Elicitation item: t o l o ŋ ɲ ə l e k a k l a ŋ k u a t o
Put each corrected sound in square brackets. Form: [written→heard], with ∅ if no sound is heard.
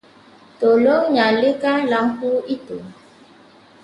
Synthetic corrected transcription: t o l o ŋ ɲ [ə→a] l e k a [k→∅] l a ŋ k u [a→i] t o